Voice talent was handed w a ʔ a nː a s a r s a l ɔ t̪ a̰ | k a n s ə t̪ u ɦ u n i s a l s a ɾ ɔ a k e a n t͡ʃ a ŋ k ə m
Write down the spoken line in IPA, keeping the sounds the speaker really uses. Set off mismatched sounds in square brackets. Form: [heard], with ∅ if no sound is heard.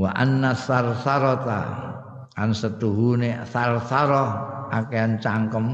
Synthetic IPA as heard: w a ʔ a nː a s a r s a [ɾ] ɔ t̪ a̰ | k a n s ə t̪ u ɦ u n [e] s a [r] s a ɾ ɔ a k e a n t͡ʃ a ŋ k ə m